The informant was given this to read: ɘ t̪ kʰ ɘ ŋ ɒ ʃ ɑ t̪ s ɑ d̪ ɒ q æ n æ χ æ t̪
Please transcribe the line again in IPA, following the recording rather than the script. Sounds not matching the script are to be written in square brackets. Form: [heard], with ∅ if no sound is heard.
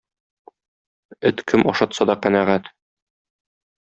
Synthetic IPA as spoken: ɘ t̪ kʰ ɘ [m] ɒ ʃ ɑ t̪ s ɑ d̪ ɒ q æ n æ [ʁ] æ t̪